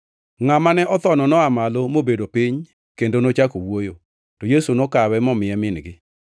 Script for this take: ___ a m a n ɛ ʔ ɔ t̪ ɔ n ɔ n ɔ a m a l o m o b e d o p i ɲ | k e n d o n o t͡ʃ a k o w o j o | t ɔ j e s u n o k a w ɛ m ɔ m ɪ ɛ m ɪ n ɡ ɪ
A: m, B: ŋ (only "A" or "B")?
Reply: B